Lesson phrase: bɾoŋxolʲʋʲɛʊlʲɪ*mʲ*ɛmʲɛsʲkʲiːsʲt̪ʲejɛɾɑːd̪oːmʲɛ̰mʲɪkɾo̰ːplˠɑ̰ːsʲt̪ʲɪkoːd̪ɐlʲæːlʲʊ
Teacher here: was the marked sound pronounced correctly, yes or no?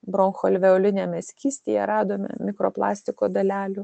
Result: no